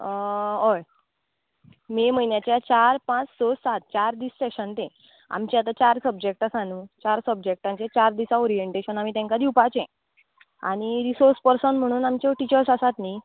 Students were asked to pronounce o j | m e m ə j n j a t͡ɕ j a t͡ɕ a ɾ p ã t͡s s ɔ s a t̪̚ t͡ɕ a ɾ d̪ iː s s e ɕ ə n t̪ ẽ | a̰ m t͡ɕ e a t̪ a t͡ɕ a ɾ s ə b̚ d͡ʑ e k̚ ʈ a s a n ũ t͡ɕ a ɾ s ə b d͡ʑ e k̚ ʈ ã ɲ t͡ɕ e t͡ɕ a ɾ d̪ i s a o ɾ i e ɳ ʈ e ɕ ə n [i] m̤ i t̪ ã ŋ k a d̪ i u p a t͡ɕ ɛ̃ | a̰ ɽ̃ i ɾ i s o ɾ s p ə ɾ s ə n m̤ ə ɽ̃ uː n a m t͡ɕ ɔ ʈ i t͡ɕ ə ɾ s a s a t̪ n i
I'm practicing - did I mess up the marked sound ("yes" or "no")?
yes